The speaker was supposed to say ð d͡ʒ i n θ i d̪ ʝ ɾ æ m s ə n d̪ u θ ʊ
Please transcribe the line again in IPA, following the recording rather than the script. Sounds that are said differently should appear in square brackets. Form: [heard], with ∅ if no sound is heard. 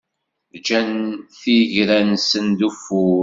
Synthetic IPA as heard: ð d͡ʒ [æ] n θ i [∅] ʝ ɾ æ [n] s ə n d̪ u [f] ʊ